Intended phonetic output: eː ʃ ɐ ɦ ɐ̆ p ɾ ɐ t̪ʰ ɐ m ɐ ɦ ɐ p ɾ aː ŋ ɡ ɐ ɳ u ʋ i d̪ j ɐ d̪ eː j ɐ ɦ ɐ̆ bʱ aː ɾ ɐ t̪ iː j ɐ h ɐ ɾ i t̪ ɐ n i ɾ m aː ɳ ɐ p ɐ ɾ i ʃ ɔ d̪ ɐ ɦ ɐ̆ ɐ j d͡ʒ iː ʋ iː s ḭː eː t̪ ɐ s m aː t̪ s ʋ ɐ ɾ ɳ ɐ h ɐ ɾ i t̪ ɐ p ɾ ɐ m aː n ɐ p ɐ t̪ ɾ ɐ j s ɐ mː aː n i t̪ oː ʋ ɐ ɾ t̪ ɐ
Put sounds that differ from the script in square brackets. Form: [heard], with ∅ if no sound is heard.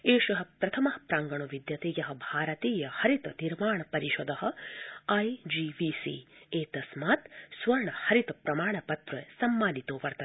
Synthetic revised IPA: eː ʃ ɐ ɦ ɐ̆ p ɾ ɐ t̪ʰ ɐ m ɐ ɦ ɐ p ɾ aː ŋ ɡ ɐ ɳ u ʋ i d̪ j ɐ [t̪] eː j ɐ ɦ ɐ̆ bʱ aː ɾ ɐ t̪ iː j ɐ h ɐ ɾ i t̪ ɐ n i ɾ m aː ɳ ɐ p ɐ ɾ i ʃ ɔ d̪ ɐ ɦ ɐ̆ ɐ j d͡ʒ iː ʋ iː s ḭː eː t̪ ɐ s m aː t̪ s ʋ ɐ ɾ ɳ ɐ h ɐ ɾ i t̪ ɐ p ɾ ɐ m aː [ɳ] ɐ p ɐ t̪ ɾ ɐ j s ɐ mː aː n i t̪ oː ʋ ɐ ɾ t̪ ɐ